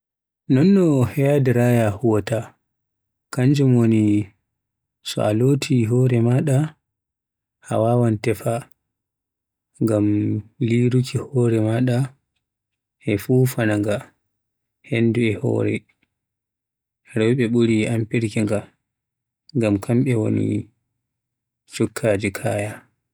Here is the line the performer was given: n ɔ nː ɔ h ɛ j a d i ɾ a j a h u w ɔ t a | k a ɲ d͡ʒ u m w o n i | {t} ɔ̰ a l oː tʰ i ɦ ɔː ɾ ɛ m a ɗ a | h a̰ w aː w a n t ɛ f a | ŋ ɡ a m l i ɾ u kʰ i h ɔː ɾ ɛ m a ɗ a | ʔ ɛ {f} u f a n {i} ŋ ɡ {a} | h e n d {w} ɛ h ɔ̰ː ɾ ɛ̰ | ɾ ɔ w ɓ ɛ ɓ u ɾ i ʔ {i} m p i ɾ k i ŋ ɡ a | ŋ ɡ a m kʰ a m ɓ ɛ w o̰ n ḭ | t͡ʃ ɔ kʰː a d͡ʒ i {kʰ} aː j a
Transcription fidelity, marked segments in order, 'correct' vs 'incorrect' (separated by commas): incorrect, correct, incorrect, correct, incorrect, incorrect, correct